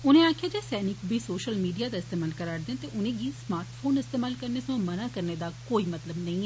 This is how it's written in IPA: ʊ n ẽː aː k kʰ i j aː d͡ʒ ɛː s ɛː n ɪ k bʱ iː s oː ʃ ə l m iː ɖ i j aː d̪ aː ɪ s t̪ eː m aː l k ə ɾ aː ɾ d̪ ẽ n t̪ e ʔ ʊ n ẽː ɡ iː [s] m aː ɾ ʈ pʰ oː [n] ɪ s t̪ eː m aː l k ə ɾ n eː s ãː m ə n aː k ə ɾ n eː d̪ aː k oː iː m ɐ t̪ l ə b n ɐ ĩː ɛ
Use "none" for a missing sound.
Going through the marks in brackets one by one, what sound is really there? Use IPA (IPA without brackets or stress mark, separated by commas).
s, n